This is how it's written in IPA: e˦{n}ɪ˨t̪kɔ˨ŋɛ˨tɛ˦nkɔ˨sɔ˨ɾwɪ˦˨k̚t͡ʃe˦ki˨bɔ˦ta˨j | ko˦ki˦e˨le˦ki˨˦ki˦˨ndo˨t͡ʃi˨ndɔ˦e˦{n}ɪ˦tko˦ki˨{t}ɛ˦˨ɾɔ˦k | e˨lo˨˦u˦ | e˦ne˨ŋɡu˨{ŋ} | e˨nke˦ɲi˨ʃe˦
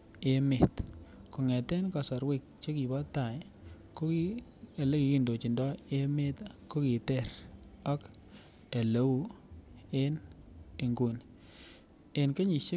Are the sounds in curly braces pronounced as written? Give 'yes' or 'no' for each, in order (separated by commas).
no, no, yes, no